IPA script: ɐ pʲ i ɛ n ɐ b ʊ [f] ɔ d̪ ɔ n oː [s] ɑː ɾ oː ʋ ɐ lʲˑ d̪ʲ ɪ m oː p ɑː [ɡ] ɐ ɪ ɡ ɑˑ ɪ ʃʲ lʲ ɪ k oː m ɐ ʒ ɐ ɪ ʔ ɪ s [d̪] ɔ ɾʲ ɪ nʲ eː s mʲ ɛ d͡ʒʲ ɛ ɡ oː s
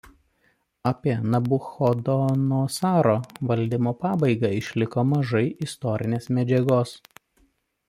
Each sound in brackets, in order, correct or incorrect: incorrect, correct, incorrect, incorrect

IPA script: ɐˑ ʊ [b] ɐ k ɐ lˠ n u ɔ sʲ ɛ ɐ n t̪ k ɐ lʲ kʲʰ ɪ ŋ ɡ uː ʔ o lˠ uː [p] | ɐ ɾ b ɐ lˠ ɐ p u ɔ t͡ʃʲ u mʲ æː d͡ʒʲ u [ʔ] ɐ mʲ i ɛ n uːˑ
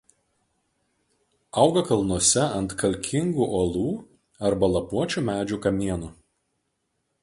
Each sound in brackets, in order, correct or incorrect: incorrect, incorrect, incorrect

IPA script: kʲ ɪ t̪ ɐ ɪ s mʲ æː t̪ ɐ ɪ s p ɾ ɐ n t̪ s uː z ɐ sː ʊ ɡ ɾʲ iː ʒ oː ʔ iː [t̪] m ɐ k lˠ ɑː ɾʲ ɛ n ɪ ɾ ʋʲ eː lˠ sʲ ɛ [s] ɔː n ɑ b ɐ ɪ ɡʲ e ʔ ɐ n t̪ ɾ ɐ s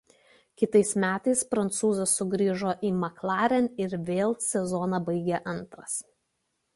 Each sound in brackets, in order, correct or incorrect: incorrect, incorrect

